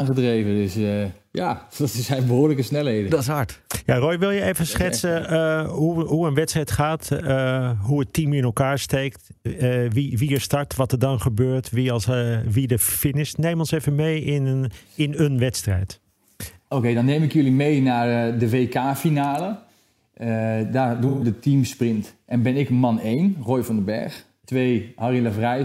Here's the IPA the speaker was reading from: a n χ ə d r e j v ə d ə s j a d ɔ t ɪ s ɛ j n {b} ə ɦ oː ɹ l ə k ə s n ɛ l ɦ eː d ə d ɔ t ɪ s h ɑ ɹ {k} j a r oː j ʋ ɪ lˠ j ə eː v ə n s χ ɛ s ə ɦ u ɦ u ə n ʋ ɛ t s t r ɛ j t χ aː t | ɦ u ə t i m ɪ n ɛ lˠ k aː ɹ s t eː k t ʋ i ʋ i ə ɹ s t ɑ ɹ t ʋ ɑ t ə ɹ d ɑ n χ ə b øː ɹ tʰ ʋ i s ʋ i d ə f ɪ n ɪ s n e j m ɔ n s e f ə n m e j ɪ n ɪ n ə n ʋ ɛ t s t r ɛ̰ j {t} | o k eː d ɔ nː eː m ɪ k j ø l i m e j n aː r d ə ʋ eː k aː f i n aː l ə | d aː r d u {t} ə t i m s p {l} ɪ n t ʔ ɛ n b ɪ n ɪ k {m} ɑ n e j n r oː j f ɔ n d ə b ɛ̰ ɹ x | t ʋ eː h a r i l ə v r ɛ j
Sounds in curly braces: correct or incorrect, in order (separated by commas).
correct, incorrect, correct, incorrect, incorrect, correct